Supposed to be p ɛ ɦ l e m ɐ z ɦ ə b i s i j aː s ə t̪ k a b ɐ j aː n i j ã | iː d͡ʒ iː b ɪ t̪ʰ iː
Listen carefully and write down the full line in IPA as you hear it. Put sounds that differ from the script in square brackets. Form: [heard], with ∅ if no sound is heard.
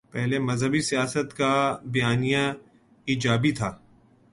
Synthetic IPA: p ɛ ɦ l e m ɐ z ɦ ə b i s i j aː s ə t̪ k a b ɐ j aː n i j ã | iː d͡ʒ [aː] b [i] t̪ʰ [aː]

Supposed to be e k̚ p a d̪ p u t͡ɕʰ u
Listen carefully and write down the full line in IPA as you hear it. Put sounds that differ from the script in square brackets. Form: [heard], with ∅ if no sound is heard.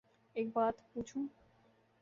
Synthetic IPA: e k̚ [b] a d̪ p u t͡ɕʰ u

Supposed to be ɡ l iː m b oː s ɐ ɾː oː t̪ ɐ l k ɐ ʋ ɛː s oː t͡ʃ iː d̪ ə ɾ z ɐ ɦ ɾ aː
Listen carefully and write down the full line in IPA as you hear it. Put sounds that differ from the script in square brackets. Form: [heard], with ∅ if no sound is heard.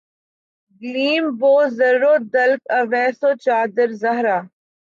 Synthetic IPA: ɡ l iː m b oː [z] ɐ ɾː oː [d̪] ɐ l k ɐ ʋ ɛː s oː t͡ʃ [aː] d̪ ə ɾ z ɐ ɦ ɾ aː

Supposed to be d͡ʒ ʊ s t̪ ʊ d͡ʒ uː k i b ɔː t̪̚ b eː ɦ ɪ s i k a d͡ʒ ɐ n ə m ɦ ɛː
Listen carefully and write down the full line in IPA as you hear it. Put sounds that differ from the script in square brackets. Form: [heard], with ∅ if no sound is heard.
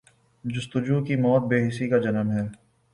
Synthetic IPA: d͡ʒ ʊ s t̪ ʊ d͡ʒ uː k i [m] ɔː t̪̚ b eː ɦ ɪ s i k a d͡ʒ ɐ n ə m ɦ ɛː

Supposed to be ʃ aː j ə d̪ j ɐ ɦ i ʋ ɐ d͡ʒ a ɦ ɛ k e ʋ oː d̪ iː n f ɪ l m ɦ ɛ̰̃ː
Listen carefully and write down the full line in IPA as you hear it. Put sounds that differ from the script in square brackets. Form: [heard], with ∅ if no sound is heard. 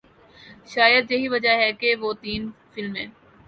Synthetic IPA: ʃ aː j ə d̪ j ɐ ɦ i ʋ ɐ d͡ʒ a ɦ ɛ k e ʋ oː [t̪] iː n f ɪ l m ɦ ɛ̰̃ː

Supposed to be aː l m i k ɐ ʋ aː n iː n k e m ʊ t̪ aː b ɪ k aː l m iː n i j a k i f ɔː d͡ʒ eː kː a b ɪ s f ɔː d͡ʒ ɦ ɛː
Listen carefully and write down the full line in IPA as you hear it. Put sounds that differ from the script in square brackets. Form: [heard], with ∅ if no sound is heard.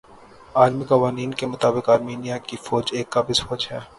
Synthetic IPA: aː l m i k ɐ ʋ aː n iː n k e m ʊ t̪ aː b ɪ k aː [ɾ] m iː n i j a k i f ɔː d͡ʒ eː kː a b ɪ s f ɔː d͡ʒ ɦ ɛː

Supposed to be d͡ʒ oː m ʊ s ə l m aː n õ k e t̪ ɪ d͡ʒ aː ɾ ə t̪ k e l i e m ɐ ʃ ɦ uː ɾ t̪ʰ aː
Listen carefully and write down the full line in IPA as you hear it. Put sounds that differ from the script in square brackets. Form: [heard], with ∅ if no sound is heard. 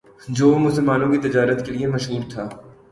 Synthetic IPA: d͡ʒ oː m ʊ s ə l m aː n õ k [i] t̪ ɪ d͡ʒ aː ɾ ə t̪ k e l i e m ɐ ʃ ɦ uː ɾ t̪ʰ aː

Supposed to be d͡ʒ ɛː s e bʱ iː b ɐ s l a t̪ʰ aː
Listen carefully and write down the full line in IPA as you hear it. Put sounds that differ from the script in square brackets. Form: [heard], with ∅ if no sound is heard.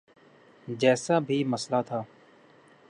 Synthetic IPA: d͡ʒ ɛː s [a] bʱ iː [m] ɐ s l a t̪ʰ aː

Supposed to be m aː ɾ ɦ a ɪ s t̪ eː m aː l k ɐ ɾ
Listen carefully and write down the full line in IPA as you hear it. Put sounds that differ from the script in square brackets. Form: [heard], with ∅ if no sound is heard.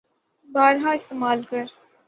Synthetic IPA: [b] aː ɾ ɦ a ɪ s t̪ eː m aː l k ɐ ɾ

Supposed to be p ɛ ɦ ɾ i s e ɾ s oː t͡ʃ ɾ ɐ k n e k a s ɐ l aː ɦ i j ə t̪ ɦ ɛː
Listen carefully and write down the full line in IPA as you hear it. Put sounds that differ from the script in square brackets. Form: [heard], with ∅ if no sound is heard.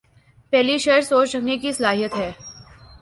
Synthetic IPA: p ɛ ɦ [l] i [ʃ] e ɾ s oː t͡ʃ ɾ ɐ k n e k [i] s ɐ l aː ɦ i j ə t̪ ɦ ɛː

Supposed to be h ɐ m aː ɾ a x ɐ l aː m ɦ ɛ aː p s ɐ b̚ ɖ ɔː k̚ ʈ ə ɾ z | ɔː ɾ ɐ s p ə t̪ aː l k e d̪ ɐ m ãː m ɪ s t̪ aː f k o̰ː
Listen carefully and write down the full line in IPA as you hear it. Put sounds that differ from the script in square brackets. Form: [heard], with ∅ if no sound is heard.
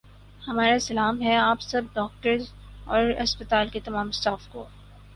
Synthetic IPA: h ɐ m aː ɾ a [s] ɐ l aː m ɦ ɛ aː p s ɐ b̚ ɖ ɔː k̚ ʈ ə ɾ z | ɔː ɾ ɐ s p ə t̪ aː l k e [t̪] ɐ m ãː m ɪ s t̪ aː f k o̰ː

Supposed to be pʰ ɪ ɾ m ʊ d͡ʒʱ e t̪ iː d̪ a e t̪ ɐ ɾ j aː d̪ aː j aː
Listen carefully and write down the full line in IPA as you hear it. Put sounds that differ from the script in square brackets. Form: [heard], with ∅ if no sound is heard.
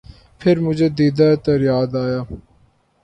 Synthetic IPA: pʰ ɪ ɾ m ʊ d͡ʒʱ e [d̪] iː d̪ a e t̪ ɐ ɾ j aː d̪ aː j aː

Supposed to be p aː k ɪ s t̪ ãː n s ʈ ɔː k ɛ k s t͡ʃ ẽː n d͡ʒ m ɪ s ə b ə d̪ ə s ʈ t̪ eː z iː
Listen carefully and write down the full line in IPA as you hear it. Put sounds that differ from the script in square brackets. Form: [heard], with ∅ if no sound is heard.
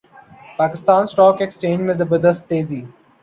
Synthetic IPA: p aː k ɪ s t̪ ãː n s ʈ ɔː k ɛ k s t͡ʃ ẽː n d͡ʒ m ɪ [z] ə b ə d̪ ə s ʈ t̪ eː z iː

